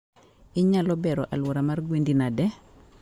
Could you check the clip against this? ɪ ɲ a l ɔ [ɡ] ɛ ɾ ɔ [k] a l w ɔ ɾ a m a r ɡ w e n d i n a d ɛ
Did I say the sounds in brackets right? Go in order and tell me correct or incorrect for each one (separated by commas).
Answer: incorrect, incorrect